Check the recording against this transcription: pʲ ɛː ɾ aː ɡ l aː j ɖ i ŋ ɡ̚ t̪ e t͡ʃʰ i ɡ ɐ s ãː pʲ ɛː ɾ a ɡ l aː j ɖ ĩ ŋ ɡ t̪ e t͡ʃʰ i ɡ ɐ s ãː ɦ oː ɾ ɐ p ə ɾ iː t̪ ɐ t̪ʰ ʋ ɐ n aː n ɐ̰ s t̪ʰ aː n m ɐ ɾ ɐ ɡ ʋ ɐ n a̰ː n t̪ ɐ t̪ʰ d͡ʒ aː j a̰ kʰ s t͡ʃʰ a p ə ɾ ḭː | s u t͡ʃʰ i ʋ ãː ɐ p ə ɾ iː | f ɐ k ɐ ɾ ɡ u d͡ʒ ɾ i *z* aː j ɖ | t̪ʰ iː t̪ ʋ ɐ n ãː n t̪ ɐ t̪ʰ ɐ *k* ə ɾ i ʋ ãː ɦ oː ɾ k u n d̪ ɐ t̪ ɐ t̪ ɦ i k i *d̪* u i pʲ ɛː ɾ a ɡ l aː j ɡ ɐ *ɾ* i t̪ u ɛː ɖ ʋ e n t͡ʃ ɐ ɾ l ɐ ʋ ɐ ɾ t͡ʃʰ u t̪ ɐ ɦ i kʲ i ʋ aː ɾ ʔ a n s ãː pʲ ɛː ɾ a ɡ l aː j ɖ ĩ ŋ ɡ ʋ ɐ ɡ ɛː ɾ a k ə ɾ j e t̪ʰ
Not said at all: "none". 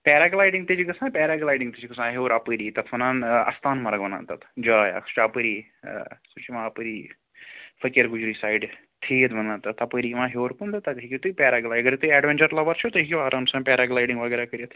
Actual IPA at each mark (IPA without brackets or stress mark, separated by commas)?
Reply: s, p, t̪, ɾ